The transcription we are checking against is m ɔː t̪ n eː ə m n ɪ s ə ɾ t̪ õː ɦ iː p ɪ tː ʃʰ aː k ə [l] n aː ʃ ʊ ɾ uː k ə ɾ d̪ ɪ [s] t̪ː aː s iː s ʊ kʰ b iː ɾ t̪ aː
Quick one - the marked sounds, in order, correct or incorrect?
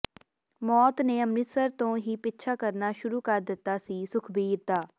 incorrect: ɾ, incorrect: none

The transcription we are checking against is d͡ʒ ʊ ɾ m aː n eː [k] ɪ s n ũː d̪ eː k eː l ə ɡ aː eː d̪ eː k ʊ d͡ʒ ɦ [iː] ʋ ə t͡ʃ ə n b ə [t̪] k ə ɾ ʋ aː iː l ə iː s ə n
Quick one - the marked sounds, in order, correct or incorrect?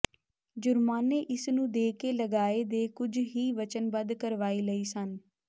incorrect: ʔ, correct, incorrect: d̪

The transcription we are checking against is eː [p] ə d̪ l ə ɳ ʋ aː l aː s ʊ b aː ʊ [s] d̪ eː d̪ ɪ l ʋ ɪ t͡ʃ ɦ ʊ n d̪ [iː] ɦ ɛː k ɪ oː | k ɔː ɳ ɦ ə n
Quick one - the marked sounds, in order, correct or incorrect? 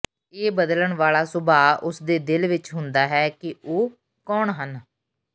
incorrect: b, correct, incorrect: aː

